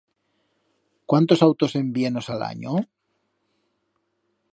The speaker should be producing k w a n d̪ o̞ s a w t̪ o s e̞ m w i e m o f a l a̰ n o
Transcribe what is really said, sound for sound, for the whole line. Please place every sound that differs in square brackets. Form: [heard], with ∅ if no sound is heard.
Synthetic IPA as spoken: k w a n [t̪] o̞ s a w t̪ o s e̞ m [b] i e [n] o [s] a l a̰ [ɲ] o